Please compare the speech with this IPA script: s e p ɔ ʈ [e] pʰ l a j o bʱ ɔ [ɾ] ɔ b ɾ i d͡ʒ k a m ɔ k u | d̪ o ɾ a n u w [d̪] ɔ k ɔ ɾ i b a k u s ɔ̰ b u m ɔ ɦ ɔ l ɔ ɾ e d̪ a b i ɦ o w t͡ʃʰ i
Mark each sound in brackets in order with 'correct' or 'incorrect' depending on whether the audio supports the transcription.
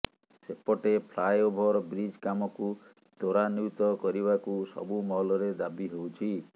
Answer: correct, correct, incorrect: t̪

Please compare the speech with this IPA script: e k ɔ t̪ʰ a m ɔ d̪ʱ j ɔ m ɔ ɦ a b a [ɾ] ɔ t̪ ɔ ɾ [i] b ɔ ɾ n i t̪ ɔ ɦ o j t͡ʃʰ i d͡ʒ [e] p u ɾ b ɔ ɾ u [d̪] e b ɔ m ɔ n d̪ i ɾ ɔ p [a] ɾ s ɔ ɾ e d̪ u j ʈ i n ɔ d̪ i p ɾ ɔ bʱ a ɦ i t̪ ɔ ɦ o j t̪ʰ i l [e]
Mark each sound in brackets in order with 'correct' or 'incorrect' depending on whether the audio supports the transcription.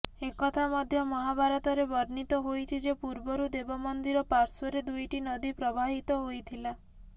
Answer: correct, incorrect: e, correct, correct, correct, incorrect: a

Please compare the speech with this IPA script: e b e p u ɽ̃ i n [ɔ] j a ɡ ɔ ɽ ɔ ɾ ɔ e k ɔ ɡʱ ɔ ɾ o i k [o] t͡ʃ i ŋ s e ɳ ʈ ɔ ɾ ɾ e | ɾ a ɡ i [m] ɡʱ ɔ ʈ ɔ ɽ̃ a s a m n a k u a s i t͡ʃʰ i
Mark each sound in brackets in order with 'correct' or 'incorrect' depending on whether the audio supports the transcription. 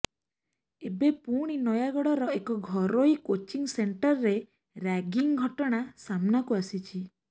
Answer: correct, correct, incorrect: ŋ

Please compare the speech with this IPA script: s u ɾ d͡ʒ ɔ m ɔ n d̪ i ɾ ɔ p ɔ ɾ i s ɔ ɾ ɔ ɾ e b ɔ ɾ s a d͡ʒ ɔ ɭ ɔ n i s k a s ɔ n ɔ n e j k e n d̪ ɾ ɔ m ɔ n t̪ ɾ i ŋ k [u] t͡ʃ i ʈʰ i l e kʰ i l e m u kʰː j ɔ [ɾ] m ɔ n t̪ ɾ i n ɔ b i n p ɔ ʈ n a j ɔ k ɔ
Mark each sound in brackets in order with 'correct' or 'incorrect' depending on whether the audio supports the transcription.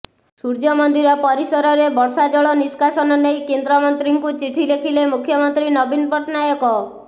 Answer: correct, incorrect: none

